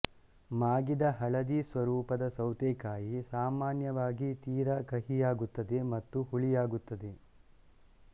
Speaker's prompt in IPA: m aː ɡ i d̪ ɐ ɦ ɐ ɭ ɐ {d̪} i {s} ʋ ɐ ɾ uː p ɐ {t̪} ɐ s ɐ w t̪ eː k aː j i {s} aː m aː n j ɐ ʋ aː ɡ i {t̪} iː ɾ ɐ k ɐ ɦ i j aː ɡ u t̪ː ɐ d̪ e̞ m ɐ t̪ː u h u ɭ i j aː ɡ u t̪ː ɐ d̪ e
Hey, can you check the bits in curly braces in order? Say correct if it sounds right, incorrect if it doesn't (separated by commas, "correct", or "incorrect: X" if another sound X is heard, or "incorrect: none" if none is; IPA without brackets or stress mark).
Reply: correct, correct, incorrect: d̪, correct, correct